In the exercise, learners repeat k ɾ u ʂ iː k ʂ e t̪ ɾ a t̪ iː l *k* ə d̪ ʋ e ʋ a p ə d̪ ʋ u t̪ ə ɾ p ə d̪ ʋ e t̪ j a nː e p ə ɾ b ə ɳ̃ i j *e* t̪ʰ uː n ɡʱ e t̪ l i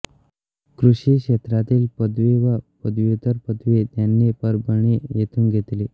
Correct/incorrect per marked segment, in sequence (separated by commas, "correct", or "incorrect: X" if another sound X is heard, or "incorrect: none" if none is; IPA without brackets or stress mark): incorrect: p, correct